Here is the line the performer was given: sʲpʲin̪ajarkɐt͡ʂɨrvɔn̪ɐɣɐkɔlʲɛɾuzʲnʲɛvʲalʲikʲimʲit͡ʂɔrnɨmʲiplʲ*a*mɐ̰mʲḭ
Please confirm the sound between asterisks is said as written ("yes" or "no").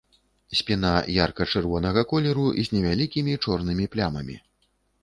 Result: yes